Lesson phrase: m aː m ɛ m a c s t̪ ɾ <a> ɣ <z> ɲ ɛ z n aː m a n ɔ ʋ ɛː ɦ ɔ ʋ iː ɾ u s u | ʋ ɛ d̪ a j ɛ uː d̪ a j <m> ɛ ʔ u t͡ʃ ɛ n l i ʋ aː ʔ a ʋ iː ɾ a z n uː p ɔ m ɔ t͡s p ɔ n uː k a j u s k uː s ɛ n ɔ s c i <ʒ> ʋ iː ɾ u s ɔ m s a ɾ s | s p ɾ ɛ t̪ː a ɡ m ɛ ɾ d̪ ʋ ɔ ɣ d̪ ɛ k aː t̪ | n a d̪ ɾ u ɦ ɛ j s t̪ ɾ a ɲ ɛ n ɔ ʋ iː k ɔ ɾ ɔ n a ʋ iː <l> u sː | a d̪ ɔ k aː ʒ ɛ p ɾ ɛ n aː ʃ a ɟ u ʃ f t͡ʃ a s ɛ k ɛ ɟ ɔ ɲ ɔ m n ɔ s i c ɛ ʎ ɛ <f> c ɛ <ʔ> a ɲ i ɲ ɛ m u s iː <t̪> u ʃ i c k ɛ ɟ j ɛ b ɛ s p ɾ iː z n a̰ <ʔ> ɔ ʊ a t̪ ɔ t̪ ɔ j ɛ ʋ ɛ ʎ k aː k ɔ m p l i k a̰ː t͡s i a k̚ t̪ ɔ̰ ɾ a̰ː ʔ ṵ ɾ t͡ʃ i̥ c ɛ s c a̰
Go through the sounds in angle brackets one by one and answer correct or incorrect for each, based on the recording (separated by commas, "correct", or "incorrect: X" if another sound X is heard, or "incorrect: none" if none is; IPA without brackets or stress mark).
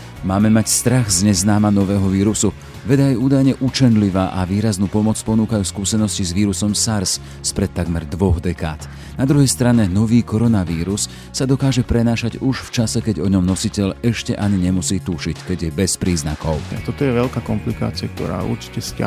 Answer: correct, correct, incorrect: ɲ, incorrect: z, incorrect: ɾ, incorrect: ʃ, correct, correct, incorrect: k